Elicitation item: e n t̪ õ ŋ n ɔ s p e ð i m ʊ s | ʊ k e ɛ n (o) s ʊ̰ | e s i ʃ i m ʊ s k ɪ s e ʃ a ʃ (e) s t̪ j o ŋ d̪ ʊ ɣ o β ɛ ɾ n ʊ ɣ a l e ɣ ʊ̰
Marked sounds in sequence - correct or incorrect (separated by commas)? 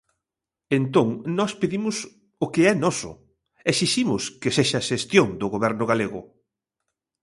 incorrect, correct